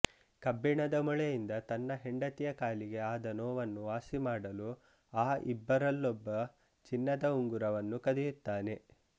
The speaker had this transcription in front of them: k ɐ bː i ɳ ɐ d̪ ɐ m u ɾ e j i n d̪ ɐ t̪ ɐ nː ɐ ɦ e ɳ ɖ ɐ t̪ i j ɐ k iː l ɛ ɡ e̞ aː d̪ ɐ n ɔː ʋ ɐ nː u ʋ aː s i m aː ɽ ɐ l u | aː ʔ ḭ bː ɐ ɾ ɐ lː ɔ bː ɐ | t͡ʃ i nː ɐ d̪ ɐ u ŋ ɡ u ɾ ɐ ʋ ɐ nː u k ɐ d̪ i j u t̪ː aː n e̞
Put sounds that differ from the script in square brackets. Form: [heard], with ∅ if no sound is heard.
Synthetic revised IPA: k ɐ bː i ɳ ɐ d̪ ɐ m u [ɭ] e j i n d̪ ɐ t̪ ɐ nː ɐ ɦ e ɳ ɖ ɐ t̪ i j ɐ k [aː] l [i] ɡ e̞ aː d̪ ɐ n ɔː ʋ ɐ nː u ʋ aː s i m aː ɽ ɐ l u | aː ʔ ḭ bː ɐ ɾ ɐ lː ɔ bː ɐ | t͡ʃ i nː ɐ d̪ ɐ u ŋ ɡ u ɾ ɐ ʋ ɐ nː u k ɐ d̪ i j u t̪ː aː n e̞